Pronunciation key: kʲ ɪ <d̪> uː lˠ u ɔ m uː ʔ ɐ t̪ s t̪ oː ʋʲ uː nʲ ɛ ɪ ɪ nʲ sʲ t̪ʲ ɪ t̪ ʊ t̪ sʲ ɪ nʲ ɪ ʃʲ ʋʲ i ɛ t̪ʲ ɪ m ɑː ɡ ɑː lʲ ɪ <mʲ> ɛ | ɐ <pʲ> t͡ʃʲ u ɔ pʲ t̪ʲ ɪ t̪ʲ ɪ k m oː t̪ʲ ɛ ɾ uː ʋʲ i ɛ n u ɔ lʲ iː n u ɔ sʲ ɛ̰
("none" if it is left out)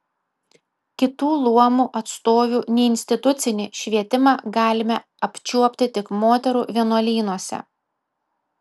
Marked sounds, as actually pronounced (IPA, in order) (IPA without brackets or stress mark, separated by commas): t̪, mʲ, pʲ